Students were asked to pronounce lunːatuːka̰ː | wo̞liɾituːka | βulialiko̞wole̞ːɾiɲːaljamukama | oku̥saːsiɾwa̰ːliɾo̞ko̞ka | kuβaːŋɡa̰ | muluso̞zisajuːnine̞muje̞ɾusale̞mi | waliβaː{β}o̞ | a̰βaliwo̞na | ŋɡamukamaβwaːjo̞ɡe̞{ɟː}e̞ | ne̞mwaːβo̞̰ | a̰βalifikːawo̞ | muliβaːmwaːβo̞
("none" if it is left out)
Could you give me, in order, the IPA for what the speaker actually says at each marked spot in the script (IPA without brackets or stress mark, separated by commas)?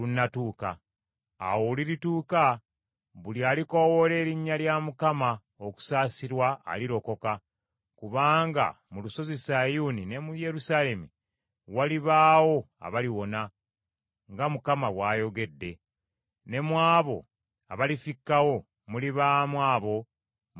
w, dː